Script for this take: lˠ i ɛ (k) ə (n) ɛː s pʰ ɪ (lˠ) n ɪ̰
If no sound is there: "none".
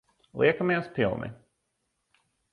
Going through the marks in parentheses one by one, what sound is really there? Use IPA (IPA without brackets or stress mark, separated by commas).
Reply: k, m, lˠ